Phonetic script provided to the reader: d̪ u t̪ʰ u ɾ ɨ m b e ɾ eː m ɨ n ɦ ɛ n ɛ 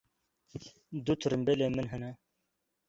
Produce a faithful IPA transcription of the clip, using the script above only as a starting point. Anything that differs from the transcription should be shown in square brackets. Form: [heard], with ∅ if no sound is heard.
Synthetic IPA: d̪ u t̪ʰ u ɾ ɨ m b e [l] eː m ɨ n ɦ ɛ n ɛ